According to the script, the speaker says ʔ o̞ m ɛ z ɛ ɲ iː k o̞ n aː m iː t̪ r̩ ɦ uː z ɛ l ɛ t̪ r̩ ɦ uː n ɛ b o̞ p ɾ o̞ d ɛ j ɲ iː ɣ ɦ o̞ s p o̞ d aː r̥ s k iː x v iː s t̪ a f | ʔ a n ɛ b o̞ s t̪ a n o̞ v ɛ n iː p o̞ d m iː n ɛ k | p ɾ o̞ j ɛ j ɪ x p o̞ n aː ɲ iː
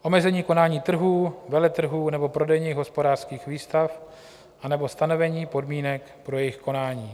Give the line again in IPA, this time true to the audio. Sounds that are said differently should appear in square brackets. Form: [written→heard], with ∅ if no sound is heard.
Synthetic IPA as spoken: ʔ o̞ m ɛ z ɛ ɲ iː k o̞ n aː [m→ɲ] iː t̪ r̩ ɦ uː [z→v] ɛ l ɛ t̪ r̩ ɦ uː n ɛ b o̞ p ɾ o̞ d ɛ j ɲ iː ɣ ɦ o̞ s p o̞ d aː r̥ s k iː x v iː s t̪ a f | ʔ a n ɛ b o̞ s t̪ a n o̞ v ɛ [n→ɲ] iː p o̞ d m iː n ɛ k | p ɾ o̞ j ɛ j ɪ x [p→k] o̞ n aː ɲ iː

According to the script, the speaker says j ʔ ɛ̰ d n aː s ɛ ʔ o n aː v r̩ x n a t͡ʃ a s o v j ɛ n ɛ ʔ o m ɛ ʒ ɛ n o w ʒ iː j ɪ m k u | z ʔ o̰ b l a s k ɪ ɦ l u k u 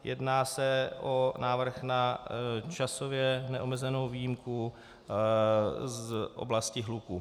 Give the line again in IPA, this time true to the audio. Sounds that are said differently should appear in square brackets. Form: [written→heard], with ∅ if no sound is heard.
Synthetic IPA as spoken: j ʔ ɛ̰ d n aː s ɛ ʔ o n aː v r̩ x n a t͡ʃ a s o v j ɛ n ɛ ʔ o m ɛ [ʒ→z] ɛ n o w [ʒ→v] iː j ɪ m k u | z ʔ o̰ b l a s [k→c] ɪ ɦ l u k u

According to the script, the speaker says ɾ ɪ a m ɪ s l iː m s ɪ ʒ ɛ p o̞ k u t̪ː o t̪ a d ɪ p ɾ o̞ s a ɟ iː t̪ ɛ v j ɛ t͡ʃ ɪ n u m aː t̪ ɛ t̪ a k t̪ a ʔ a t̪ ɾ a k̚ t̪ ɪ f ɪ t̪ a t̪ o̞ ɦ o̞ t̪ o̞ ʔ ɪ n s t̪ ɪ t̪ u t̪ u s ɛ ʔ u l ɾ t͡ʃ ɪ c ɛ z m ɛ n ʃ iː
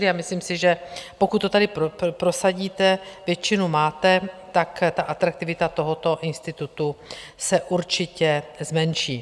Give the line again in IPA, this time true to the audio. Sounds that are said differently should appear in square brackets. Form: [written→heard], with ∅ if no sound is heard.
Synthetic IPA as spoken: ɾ ɪ a m ɪ s l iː m s ɪ ʒ ɛ p o̞ k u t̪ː o t̪ a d ɪ p ɾ o̞ s a ɟ iː t̪ ɛ v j ɛ t͡ʃ ɪ n u m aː t̪ ɛ t̪ a k t̪ a ʔ a t̪ ɾ a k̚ t̪ ɪ [f→v] ɪ t̪ a t̪ o̞ ɦ o̞ t̪ o̞ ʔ ɪ n s t̪ ɪ t̪ u t̪ u s ɛ ʔ u [l→∅] ɾ t͡ʃ ɪ c ɛ z m ɛ n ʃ iː

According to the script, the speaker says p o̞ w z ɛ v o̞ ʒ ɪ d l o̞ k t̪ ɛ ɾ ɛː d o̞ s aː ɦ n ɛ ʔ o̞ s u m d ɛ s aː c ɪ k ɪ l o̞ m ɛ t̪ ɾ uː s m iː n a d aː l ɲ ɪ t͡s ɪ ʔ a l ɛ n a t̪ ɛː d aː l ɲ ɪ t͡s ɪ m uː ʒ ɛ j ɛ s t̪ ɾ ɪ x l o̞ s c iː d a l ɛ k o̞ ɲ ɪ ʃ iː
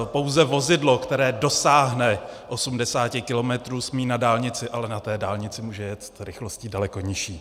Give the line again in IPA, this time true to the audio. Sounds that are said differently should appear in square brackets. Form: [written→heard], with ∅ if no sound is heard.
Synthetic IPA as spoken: p o̞ w z ɛ v o̞ [ʒ→z] ɪ d l o̞ k t̪ ɛ ɾ ɛː d o̞ s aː ɦ n ɛ ʔ o̞ s u m d ɛ s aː c ɪ k ɪ l o̞ m ɛ t̪ ɾ uː s m iː n a d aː l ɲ ɪ t͡s ɪ ʔ a l ɛ n a t̪ ɛː d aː l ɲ ɪ t͡s ɪ m uː ʒ ɛ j ɛ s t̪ ɾ ɪ x l o̞ s c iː d a l ɛ k o̞ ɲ ɪ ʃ iː

